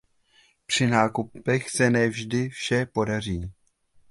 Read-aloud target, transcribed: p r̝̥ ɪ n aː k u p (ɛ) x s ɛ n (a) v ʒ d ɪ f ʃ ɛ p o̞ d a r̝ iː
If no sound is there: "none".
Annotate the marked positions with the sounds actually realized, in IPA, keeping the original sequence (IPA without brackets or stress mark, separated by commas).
ɛ, ɛ